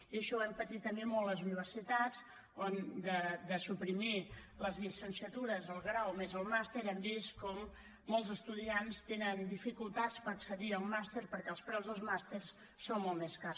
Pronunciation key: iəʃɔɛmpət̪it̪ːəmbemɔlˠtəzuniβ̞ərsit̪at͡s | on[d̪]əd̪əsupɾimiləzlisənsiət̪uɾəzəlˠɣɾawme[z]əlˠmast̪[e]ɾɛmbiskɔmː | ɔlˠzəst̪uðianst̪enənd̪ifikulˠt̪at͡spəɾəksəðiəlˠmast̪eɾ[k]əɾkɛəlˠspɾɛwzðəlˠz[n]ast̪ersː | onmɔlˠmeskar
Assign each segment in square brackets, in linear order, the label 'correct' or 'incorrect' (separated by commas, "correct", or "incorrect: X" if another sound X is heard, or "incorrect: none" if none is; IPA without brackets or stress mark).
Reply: correct, correct, correct, incorrect: p, incorrect: m